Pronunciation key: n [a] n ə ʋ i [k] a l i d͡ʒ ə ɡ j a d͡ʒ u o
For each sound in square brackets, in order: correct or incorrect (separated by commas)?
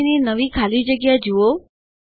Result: incorrect, incorrect